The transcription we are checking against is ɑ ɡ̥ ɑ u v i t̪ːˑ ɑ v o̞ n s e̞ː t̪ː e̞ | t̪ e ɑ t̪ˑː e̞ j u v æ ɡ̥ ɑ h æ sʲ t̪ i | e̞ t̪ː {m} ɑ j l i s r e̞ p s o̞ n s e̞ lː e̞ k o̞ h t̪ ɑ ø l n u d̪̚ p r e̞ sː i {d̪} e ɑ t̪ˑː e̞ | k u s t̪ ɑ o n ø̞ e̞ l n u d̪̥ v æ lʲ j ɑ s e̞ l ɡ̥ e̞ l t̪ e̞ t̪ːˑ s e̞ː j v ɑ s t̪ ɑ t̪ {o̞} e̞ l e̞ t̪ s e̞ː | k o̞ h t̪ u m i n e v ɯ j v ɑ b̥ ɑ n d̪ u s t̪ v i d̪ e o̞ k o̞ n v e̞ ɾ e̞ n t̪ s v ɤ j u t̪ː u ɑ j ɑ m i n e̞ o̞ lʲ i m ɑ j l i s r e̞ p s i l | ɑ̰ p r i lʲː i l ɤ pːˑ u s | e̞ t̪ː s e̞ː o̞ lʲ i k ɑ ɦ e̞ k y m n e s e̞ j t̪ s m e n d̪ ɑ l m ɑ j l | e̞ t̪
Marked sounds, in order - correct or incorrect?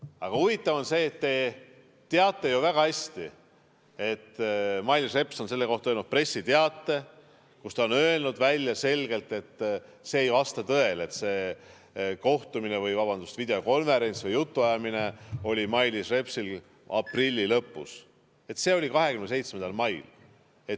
correct, incorrect: t̪, incorrect: ɤ̞

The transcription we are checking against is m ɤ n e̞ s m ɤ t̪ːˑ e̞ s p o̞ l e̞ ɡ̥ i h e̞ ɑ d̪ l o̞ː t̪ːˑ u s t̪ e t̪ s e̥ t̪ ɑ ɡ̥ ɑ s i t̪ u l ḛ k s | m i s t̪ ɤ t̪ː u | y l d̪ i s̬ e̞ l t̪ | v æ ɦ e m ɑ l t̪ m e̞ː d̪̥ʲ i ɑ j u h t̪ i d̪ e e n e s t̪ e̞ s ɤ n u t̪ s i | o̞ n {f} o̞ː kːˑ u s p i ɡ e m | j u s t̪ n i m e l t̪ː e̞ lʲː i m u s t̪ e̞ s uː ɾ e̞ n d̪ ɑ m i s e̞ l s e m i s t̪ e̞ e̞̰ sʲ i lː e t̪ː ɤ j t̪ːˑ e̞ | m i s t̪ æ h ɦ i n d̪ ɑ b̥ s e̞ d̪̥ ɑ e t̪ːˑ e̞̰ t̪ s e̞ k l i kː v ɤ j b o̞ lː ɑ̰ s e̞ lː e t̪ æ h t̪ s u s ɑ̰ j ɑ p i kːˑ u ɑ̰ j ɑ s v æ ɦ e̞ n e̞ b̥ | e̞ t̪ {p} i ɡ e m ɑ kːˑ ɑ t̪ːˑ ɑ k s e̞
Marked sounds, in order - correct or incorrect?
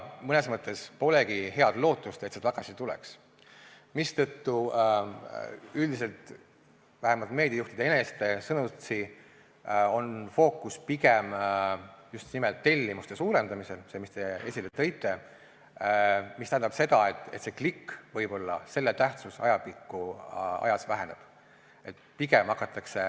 correct, correct

